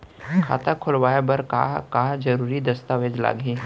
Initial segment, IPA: kʰ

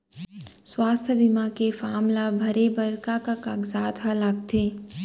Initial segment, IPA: s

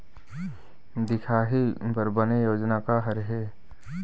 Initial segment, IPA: d̪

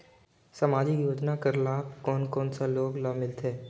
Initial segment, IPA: s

